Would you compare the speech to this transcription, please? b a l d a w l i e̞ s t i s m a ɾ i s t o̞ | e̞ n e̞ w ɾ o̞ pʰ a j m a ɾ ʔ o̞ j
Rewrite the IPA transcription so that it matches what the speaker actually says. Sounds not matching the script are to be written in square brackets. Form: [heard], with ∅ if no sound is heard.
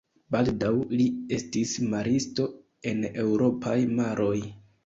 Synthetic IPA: b a l d a w l i e̞ s t i s m a ɾ i s t o̞ | e̞ n e̞ w ɾ o̞ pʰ a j m a ɾ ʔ o̞ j